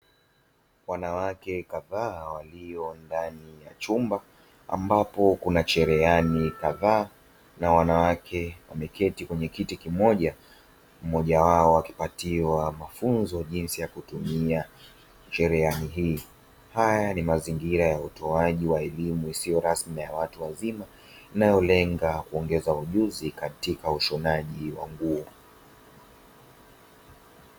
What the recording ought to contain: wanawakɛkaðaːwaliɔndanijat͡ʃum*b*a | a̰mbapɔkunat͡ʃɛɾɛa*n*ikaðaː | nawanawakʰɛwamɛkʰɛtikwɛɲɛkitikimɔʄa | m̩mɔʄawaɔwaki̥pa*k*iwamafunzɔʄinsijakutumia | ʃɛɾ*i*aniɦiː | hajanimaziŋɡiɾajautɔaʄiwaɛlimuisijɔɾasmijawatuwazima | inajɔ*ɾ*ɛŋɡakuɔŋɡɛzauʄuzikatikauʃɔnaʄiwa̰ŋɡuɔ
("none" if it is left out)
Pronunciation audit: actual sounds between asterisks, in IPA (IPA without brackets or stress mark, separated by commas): b, n, t, ɛ, l